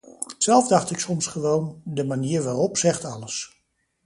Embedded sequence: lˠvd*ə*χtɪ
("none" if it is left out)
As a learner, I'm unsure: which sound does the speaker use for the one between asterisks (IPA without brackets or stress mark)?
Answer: ɑ